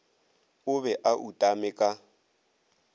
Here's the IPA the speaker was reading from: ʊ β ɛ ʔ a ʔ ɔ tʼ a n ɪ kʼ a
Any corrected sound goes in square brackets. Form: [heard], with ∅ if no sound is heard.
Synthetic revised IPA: ʊ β ɛ ʔ a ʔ [u] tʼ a [m] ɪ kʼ a